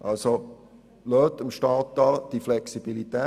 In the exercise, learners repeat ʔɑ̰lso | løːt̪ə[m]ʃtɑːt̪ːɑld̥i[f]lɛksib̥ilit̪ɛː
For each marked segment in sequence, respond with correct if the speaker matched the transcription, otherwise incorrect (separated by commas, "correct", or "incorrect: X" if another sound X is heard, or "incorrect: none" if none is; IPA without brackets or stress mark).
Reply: correct, correct